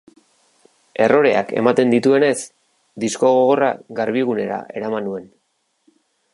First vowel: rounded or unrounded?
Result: unrounded